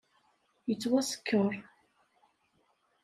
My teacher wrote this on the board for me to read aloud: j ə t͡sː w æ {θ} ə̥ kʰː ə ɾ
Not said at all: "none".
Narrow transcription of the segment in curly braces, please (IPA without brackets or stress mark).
s